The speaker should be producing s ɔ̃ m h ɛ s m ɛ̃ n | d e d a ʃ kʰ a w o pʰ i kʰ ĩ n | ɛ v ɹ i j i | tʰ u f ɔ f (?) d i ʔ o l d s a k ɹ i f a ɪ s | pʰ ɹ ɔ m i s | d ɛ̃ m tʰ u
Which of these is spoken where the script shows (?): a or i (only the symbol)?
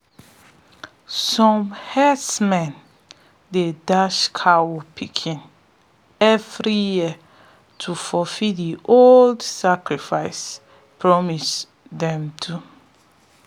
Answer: i